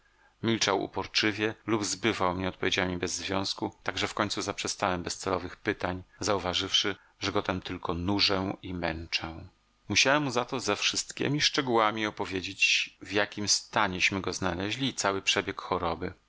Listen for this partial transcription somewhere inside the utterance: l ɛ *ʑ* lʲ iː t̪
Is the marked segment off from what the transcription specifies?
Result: no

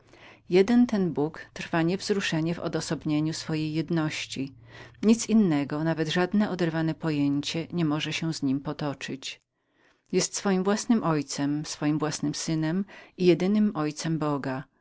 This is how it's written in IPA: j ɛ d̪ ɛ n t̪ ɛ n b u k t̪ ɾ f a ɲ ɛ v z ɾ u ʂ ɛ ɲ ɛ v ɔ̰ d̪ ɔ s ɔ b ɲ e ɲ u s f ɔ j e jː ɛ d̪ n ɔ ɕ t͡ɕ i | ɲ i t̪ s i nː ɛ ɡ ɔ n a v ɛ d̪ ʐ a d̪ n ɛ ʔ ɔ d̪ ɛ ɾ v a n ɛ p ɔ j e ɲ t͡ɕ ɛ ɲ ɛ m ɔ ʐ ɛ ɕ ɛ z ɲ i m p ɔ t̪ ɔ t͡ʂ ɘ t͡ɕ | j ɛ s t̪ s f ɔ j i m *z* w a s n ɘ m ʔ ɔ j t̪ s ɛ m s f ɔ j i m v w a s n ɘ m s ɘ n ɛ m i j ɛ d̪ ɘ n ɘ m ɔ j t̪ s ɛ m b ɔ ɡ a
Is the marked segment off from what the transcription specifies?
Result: yes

